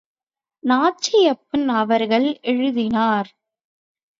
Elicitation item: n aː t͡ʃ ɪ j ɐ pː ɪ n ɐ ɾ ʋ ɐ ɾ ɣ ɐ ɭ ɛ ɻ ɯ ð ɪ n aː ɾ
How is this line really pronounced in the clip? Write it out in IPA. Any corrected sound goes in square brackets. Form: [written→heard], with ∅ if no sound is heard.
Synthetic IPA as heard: n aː t͡ʃ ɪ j ɐ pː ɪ n ɐ [ɾ→∅] ʋ ɐ ɾ ɣ ɐ ɭ ɛ ɻ ɯ ð ɪ n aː ɾ